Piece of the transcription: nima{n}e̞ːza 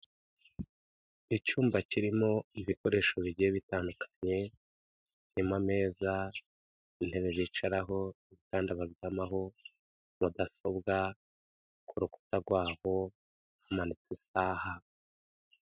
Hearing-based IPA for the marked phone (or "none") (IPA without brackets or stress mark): m